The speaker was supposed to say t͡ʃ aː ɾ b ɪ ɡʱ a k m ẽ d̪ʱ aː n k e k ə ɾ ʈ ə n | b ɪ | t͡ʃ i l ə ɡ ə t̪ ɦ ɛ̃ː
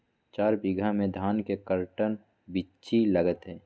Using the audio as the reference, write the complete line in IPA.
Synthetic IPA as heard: t͡ʃ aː ɾ b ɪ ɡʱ a m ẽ d̪ʱ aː n k e k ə ɾ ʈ ə n | b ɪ | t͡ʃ i l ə ɡ ə t̪ ɦ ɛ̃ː